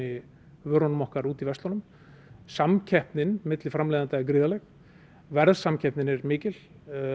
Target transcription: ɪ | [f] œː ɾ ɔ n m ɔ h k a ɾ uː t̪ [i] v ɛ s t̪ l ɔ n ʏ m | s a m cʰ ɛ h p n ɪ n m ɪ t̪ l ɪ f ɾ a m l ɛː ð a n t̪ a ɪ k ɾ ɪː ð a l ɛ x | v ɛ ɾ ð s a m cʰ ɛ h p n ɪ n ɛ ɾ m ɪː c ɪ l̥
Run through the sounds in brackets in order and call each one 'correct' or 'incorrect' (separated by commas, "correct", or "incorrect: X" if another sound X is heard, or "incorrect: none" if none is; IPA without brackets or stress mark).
incorrect: v, correct